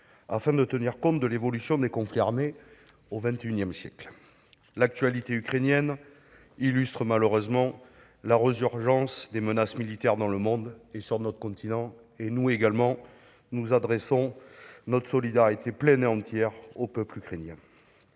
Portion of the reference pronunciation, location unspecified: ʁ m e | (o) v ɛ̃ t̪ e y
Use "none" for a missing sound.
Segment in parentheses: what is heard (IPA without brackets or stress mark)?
o